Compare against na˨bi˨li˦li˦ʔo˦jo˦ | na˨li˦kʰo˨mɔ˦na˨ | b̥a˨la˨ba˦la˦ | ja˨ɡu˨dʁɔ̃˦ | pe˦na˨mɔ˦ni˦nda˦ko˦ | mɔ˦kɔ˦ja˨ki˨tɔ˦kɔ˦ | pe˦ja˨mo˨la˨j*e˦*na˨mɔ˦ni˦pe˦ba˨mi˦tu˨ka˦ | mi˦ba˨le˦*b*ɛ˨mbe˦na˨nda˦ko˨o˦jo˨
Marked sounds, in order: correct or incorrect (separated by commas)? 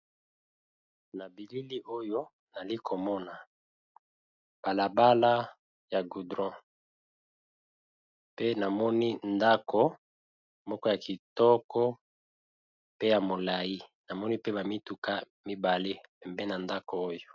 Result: incorrect, incorrect